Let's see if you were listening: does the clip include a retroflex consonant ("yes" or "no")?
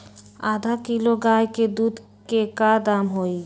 no